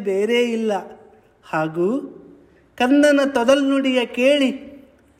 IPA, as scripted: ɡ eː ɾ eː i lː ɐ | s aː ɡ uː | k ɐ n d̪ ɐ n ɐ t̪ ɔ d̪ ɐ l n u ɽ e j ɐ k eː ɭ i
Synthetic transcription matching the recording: b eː ɾ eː i lː ɐ | h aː ɡ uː | k ɐ n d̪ ɐ n ɐ t̪ ɔ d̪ ɐ l n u ɽ i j ɐ k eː ɭ i